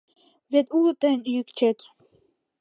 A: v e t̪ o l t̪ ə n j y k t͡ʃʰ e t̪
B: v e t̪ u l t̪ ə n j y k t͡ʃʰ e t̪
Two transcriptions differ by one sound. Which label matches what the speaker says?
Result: B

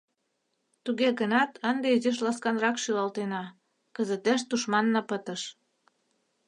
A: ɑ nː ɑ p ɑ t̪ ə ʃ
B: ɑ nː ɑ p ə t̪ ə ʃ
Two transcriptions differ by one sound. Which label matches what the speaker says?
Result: B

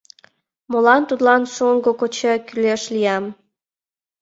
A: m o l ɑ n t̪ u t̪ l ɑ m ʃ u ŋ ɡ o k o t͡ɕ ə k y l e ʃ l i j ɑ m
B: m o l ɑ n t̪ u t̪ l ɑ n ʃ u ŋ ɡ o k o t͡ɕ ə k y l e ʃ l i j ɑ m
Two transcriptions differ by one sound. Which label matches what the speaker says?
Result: B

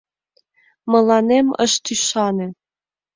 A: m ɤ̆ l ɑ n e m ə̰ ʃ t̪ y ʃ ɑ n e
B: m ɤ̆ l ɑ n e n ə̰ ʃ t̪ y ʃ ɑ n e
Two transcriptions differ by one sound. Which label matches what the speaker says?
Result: A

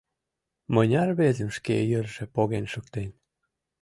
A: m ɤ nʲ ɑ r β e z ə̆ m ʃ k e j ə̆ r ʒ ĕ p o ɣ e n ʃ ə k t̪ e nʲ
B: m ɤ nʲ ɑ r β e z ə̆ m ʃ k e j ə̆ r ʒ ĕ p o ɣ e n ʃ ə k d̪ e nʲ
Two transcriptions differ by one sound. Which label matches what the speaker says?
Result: A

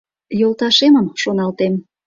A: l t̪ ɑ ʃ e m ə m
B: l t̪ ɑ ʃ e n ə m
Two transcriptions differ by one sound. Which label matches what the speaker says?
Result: A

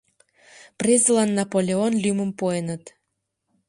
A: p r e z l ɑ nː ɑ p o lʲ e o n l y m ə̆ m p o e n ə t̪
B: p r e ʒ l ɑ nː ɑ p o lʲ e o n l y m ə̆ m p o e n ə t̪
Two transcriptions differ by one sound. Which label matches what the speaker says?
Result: A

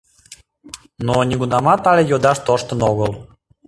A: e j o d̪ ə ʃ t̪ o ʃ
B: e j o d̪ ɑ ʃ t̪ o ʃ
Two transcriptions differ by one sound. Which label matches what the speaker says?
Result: B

